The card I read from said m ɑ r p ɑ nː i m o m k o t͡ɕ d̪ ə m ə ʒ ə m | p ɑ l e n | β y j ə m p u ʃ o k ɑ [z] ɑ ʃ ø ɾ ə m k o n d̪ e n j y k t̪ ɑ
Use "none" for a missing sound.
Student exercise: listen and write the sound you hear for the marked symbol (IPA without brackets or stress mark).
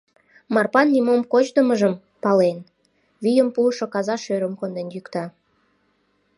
z